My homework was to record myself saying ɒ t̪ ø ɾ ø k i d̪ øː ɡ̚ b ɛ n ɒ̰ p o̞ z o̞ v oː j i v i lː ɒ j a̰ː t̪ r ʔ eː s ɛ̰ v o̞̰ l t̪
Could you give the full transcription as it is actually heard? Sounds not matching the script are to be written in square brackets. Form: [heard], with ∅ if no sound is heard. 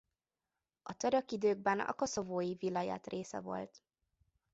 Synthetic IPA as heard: ɒ t̪ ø ɾ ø k i d̪ øː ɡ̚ b ɛ n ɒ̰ [k] o̞ [s] o̞ v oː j i v i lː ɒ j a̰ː t̪ r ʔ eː s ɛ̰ v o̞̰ l t̪